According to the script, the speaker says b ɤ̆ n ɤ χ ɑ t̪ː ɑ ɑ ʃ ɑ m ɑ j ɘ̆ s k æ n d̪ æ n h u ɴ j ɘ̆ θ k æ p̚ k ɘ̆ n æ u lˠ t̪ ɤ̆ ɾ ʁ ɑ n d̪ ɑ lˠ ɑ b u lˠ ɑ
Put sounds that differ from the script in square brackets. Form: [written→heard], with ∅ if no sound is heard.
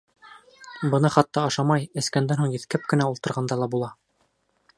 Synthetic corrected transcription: b ɤ̆ n ɤ χ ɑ t̪ː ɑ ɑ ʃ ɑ m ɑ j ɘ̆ s k æ n d̪ æ n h u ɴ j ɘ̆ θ k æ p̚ k ɘ̆ n æ u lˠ t̪ ɤ̆ ɾ ʁ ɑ n d̪ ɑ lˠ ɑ b u lˠ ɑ